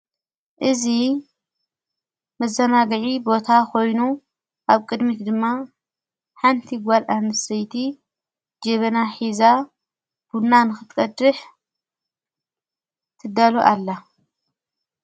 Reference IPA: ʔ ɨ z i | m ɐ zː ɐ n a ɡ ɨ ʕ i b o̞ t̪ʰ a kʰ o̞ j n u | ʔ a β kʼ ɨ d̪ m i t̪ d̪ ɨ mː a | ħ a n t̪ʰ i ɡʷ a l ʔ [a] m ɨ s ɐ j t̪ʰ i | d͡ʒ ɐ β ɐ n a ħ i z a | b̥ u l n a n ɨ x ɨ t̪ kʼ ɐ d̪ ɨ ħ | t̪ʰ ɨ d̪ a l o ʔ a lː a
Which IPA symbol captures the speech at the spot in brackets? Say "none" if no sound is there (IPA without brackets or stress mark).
a